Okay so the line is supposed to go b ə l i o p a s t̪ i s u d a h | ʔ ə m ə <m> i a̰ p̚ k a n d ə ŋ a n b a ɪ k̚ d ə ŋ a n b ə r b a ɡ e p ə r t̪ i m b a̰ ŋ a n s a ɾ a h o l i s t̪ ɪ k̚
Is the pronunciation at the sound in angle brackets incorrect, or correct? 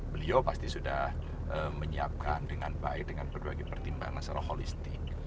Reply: incorrect